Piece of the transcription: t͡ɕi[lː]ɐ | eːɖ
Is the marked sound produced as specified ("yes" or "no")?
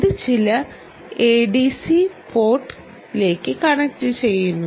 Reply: no